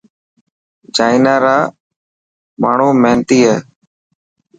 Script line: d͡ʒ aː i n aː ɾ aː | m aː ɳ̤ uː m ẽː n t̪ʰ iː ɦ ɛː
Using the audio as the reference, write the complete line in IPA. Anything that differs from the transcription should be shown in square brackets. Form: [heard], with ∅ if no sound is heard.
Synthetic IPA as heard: d͡ʒ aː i n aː ɾ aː | m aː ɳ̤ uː m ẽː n [t̪] iː ɦ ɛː